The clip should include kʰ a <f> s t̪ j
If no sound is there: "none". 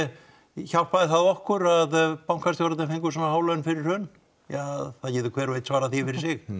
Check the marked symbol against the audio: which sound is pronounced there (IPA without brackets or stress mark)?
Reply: none